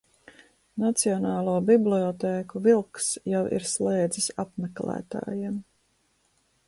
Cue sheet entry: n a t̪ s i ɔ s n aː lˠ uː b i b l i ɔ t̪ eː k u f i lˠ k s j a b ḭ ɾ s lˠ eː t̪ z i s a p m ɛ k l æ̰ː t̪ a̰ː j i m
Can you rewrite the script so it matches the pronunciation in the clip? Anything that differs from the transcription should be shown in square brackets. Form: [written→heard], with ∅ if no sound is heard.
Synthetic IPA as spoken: n a t̪ s i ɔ [s→∅] n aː lˠ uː b i b l i ɔ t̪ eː k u [f→v] i lˠ k s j a [b→w] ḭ ɾ s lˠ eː [t̪→d̪] z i s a p m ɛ k l æ̰ː t̪ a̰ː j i m

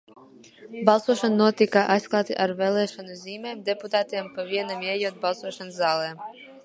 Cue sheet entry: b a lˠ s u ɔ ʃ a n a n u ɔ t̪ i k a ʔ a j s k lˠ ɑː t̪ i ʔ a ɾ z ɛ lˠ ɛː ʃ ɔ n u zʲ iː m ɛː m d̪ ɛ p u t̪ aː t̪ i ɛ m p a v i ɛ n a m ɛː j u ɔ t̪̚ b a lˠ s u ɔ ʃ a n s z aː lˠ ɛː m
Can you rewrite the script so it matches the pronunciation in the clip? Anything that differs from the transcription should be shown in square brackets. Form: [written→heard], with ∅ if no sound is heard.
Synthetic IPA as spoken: b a lˠ s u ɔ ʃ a n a n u ɔ t̪ i k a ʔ a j s k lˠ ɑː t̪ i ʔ a ɾ [z→v] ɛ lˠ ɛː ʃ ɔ n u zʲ iː m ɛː m d̪ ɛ p u t̪ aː t̪ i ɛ m p a v i ɛ n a m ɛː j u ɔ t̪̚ b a lˠ s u ɔ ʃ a n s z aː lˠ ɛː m

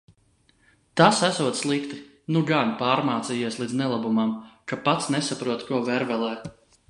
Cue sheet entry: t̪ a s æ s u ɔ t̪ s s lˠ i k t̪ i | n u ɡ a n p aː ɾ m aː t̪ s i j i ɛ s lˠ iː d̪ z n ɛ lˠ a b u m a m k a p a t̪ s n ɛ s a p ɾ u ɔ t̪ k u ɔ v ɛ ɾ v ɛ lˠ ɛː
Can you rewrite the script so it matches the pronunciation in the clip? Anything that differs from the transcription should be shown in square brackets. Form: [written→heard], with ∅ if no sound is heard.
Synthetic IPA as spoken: t̪ a s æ s u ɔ t̪ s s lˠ i k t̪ i | n u ɡ a n p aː ɾ m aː t̪ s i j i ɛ s lˠ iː d̪ z n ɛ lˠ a b u m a m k a p a t̪ s n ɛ s a p ɾ u ɔ t̪ k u ɔ v ɛ ɾ v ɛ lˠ ɛː

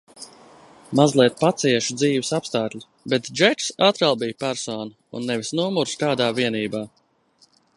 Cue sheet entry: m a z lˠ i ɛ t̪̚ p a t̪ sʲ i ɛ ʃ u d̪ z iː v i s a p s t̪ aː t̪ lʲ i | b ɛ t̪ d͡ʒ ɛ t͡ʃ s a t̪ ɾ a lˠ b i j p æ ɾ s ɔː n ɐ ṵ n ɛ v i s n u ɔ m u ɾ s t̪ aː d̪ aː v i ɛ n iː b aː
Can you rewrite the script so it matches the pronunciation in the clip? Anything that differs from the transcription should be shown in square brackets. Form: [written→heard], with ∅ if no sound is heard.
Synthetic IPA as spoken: m a z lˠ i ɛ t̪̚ p a t̪ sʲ i ɛ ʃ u d̪ z iː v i s a p s t̪ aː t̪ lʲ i | b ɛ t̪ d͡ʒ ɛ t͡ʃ s a t̪ ɾ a lˠ b i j p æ ɾ s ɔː n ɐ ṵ [n→nː] ɛ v i s n u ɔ m u ɾ s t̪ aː d̪ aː v i ɛ n iː b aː

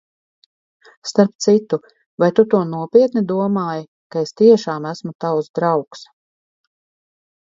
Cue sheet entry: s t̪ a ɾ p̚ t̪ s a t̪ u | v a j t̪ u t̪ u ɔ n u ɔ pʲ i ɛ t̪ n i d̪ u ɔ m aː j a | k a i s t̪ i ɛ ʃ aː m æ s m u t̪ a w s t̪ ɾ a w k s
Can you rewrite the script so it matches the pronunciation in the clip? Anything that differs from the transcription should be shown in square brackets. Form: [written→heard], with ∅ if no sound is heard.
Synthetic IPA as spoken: s t̪ a ɾ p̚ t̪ s [a→i] t̪ u | v a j t̪ u t̪ u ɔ n u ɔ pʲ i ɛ t̪ n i d̪ u ɔ m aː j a | k a [i→e] s t̪ i ɛ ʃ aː m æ s m u t̪ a w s [t̪→d̪] ɾ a w k s

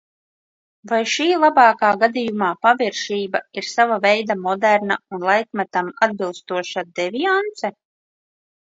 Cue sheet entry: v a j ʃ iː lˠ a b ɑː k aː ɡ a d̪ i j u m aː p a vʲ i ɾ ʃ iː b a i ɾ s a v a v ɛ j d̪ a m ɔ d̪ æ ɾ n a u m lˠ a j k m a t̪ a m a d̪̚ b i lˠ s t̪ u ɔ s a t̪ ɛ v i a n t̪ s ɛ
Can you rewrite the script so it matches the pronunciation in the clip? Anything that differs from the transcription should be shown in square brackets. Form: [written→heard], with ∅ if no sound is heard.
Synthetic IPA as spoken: v a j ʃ iː lˠ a b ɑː k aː ɡ a d̪ i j u m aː p a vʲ i ɾ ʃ iː b a i ɾ s a v a v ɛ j d̪ a m ɔ d̪ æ ɾ n a u [m→n] lˠ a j k m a t̪ a m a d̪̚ b i lˠ s t̪ u ɔ [s→ʃ] a [t̪→d̪] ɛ v i a n t̪ s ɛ

